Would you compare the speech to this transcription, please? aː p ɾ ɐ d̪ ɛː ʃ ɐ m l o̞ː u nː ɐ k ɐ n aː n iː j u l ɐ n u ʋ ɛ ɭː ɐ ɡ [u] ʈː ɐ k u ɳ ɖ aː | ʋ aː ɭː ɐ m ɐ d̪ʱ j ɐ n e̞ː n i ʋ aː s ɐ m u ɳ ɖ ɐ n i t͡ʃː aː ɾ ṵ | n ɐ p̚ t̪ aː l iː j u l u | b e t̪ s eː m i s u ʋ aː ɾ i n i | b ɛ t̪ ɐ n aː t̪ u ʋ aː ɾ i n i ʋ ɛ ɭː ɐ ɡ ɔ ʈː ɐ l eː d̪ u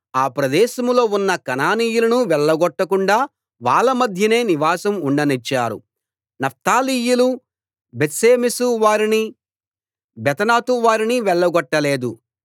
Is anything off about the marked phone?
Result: yes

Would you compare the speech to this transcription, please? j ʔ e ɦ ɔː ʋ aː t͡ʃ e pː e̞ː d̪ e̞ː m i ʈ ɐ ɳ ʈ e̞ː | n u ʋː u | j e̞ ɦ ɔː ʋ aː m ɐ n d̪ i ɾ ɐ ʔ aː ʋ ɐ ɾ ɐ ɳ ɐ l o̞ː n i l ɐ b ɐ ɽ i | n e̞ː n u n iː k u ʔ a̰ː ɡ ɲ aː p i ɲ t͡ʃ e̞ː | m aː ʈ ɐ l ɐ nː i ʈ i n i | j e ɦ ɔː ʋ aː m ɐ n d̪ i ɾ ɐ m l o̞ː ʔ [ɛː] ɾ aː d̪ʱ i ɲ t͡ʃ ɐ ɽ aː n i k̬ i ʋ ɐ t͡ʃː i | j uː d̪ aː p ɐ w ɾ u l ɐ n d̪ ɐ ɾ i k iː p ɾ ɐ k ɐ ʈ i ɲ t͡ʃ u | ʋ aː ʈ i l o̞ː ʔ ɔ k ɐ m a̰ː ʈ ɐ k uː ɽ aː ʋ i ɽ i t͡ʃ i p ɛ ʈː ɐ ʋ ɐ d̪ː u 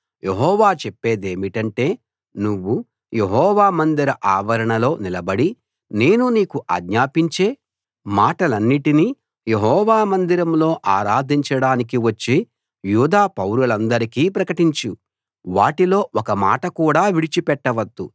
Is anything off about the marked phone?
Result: yes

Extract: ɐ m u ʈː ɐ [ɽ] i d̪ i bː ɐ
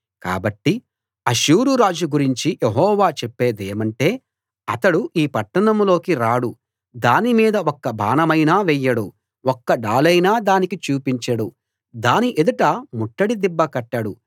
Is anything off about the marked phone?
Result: no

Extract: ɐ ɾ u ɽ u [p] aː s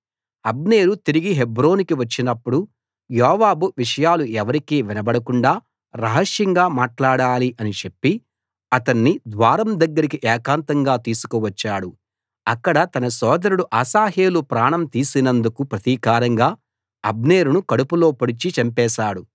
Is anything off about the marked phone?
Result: yes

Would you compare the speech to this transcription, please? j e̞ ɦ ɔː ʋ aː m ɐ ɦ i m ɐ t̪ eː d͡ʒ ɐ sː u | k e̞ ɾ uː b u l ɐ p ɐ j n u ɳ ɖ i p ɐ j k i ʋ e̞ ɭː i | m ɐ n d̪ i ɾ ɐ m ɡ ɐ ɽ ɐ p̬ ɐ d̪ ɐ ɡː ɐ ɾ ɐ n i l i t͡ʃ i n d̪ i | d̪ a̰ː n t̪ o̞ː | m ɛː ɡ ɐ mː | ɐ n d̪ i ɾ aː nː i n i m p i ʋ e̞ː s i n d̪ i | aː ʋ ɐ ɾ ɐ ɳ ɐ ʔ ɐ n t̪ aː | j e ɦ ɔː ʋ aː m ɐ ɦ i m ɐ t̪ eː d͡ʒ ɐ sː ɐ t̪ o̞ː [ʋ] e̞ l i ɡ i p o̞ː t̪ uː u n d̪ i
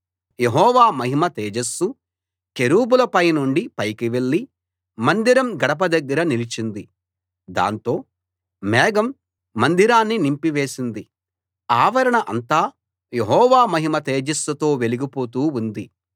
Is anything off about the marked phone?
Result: no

